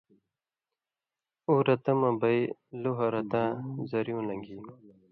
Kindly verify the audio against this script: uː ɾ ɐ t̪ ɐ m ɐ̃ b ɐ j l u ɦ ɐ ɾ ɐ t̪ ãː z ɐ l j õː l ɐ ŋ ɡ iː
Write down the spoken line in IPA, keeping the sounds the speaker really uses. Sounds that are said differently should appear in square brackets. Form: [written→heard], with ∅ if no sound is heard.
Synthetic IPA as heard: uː ɾ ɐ t̪ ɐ m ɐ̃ b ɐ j l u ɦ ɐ ɾ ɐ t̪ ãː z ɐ [l→ɾ] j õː l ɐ ŋ ɡ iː

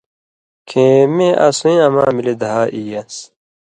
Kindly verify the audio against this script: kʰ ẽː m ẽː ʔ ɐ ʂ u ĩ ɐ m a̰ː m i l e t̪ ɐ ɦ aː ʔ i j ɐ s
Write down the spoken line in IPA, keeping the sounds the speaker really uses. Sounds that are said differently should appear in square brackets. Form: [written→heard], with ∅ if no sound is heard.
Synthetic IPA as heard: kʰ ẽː m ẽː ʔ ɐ [ʂ→s] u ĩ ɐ m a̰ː m i l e [t̪→d̪] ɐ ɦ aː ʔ i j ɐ s

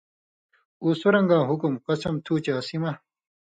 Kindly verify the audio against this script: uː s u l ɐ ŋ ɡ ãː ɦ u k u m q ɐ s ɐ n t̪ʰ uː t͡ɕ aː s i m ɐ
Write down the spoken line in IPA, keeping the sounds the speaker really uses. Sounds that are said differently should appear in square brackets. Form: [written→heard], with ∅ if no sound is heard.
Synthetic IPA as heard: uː s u [l→ɾ] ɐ ŋ ɡ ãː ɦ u k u m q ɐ s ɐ [n→m] t̪ʰ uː t͡ɕ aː s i m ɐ

